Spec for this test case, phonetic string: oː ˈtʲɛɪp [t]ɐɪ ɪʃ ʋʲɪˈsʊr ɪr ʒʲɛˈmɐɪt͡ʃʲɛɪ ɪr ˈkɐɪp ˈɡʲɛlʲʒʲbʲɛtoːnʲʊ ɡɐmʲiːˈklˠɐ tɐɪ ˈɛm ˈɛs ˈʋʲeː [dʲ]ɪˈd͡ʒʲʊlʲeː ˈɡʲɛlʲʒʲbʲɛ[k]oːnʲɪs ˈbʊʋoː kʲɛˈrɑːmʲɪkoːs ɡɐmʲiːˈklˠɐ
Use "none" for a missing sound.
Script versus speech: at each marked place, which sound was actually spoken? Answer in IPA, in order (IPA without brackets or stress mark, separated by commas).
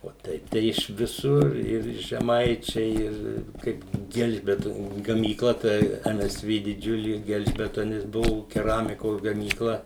t, dʲ, t